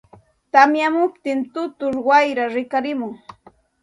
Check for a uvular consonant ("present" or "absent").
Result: absent